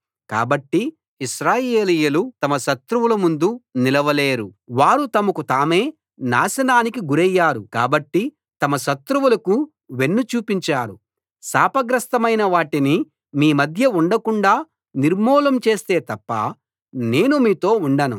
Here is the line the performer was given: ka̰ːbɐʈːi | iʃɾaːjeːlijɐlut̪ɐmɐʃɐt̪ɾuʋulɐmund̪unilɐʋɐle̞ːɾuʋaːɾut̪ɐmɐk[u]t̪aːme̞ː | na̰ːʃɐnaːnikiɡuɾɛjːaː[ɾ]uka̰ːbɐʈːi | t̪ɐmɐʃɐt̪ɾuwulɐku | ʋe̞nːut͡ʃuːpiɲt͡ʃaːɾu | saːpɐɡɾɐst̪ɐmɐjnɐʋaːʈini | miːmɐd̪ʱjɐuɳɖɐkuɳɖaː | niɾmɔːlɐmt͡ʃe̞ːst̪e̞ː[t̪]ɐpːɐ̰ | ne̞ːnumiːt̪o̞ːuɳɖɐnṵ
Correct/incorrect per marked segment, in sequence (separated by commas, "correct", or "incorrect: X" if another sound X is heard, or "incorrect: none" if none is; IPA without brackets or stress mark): correct, correct, correct